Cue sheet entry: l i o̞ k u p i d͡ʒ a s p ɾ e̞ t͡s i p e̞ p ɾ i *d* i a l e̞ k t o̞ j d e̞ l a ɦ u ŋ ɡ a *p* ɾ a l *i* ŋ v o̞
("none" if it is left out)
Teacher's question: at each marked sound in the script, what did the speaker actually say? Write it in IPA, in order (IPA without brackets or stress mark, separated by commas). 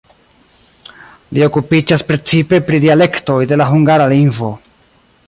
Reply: d, none, i